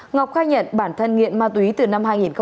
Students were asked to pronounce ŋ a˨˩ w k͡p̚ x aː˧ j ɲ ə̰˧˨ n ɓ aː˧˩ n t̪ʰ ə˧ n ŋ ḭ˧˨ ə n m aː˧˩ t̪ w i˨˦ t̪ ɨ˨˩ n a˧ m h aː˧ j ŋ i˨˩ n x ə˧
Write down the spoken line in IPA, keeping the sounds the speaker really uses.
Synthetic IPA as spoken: ŋ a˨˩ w k͡p̚ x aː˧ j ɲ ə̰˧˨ n ɓ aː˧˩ n t̪ʰ ə˧ n ŋ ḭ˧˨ ə n m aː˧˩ t̪ w i˨˦ t̪ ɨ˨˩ n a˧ m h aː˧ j ŋ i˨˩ n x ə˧